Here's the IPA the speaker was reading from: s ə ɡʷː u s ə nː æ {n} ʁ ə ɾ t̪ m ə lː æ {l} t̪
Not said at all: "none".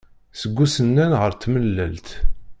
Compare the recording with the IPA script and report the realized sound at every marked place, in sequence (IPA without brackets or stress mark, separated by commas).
n, l